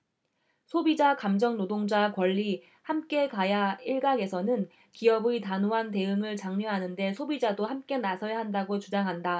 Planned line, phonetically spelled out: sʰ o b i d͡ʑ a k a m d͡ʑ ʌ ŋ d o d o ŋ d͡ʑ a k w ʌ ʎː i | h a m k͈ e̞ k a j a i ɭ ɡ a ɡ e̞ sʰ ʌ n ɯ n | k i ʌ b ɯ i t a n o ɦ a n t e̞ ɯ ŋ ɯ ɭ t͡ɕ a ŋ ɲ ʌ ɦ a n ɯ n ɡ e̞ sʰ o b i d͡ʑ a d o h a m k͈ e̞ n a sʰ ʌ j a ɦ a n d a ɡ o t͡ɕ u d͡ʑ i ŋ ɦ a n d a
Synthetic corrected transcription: sʰ o b i d͡ʑ a k a m d͡ʑ ʌ ŋ n o d o ŋ d͡ʑ a k w ʌ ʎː i | h a m k͈ e̞ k a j a i ɭ ɡ a ɡ e̞ sʰ ʌ n ɯ n | k i ʌ b ɯ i t a n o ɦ a n t e̞ ɯ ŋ ɯ ɭ t͡ɕ a ŋ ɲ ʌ ɦ a n ɯ n d e̞ sʰ o b i d͡ʑ a d o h a m k͈ e̞ n a sʰ ʌ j a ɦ a n d a ɡ o t͡ɕ u d͡ʑ a ŋ ɦ a n d a